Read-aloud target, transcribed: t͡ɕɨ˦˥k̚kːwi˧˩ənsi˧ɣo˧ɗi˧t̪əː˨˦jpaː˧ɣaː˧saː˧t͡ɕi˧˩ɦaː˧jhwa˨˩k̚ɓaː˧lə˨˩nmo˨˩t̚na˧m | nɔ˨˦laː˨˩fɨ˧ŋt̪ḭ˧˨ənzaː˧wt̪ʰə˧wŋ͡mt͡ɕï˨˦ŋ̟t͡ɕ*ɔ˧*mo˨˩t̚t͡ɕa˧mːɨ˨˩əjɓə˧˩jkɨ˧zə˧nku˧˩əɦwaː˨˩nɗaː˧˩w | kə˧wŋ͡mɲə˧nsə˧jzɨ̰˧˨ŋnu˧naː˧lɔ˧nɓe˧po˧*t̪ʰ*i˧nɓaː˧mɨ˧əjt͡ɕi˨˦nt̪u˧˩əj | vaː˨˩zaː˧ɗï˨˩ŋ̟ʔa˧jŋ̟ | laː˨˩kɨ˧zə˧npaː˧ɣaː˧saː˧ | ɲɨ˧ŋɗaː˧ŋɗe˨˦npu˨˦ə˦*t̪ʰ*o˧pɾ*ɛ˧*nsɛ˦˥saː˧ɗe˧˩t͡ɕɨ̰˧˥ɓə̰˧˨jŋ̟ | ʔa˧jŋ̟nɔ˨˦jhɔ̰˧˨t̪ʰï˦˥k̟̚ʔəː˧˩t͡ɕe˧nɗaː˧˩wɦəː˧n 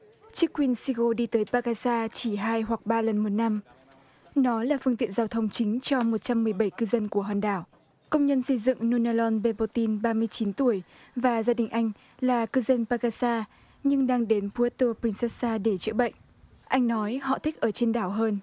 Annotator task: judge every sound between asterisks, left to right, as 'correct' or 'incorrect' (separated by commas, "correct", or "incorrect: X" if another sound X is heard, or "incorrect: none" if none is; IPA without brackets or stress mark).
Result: correct, incorrect: t̪, incorrect: t̪, incorrect: i˧